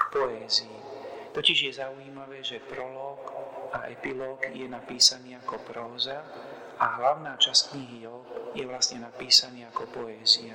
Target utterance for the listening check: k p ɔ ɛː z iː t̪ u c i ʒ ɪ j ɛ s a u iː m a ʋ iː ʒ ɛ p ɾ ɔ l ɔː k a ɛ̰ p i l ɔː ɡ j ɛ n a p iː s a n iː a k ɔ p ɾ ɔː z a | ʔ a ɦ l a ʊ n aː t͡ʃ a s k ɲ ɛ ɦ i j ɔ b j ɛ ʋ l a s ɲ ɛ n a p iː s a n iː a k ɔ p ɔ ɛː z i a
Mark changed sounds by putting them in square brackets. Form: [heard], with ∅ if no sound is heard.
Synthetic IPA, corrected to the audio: k p ɔ ɛː z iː t̪ [ɔ] c i ʒ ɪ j ɛ [z] a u iː m a ʋ [ɛː] ʒ ɛ p ɾ ɔ l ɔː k a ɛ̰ p i l ɔː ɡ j ɛ n a p iː s a n iː a k ɔ p ɾ ɔː z a | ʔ a ɦ l a ʊ n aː t͡ʃ a s k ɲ [i] ɦ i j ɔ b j ɛ ʋ l a s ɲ ɛ n a p iː s a n iː a k ɔ p ɔ ɛː z i a